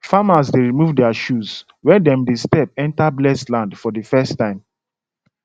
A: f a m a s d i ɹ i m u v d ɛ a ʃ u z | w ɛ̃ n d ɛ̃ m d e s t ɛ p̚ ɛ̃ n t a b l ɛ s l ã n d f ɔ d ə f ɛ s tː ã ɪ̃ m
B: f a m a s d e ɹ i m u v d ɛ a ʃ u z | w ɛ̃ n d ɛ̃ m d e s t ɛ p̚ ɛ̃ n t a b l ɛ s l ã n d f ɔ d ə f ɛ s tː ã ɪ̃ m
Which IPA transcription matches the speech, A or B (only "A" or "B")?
B